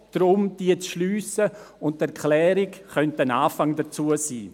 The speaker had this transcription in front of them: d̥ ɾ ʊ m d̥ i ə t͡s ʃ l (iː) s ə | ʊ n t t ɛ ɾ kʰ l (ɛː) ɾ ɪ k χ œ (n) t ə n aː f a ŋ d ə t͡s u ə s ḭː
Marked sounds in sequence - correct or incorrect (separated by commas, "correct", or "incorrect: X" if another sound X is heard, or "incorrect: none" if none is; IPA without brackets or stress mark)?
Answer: incorrect: yː, correct, correct